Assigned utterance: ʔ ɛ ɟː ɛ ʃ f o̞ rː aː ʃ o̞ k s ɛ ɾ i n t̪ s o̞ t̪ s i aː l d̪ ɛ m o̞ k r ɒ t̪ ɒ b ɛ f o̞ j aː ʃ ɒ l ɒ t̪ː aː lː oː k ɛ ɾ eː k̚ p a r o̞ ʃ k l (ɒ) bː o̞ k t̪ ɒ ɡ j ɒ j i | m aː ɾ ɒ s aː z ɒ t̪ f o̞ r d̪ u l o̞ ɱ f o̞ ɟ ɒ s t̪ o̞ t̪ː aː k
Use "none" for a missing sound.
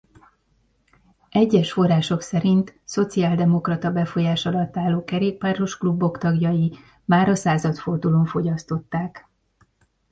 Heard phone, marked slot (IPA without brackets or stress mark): u